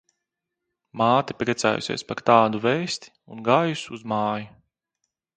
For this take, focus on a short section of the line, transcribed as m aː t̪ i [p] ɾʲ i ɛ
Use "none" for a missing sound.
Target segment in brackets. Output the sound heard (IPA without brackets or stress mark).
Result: p